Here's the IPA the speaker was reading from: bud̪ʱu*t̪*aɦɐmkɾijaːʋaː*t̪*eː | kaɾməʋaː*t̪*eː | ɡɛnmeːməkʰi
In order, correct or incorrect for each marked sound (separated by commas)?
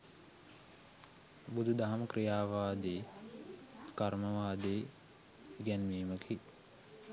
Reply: incorrect, incorrect, incorrect